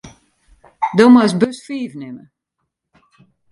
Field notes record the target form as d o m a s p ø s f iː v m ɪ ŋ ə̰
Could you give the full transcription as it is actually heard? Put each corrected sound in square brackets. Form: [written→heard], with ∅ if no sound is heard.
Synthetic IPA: d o m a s [p→b] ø s f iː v [m→n] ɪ [ŋ→m] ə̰